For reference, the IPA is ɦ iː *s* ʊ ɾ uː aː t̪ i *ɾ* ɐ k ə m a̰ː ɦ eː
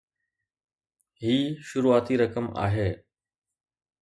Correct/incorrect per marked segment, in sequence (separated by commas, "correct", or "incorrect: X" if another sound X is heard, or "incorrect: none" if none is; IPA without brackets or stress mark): incorrect: ʃ, correct